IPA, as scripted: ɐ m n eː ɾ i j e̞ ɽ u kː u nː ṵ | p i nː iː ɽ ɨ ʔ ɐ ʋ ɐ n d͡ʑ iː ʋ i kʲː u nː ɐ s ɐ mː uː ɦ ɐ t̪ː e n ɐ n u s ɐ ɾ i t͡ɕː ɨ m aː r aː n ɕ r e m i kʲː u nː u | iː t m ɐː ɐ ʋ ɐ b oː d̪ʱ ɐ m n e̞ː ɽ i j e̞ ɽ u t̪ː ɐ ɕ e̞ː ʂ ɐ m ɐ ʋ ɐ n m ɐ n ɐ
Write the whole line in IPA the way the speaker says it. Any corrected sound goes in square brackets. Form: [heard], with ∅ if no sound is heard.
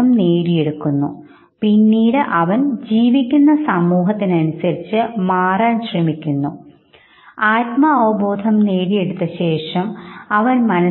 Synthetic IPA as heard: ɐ m n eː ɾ i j e̞ ɽ u kː u nː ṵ | p i nː iː ɽ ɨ ʔ ɐ ʋ ɐ n d͡ʑ iː ʋ i kʲː u nː ɐ s ɐ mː uː ɦ ɐ t̪ː [i] n ɐ n u s ɐ ɾ i t͡ɕː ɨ m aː r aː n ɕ r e m i kʲː u nː u | [aː] t m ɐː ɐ ʋ ɐ b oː d̪ʱ ɐ m n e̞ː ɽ i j e̞ ɽ u t̪ː ɐ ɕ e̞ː ʂ ɐ m ɐ ʋ ɐ n m ɐ n ɐ